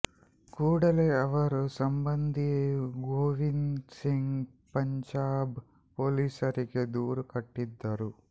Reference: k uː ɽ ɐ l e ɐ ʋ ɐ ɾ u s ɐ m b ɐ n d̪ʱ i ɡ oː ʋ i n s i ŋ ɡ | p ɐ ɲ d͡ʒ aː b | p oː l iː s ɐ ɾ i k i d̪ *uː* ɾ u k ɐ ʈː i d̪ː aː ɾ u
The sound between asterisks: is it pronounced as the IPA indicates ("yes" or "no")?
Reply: yes